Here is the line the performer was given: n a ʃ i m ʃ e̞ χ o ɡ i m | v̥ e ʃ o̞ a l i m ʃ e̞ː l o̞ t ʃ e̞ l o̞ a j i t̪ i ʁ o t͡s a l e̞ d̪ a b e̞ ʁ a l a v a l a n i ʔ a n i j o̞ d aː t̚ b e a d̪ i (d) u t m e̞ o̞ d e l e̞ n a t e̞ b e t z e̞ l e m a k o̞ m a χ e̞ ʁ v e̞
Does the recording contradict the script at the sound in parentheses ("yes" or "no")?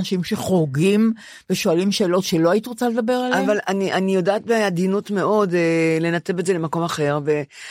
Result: yes